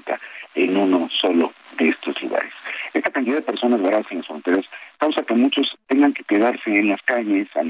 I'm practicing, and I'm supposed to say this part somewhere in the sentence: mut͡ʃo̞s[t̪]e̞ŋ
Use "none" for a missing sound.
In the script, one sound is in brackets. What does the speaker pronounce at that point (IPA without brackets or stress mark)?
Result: t̪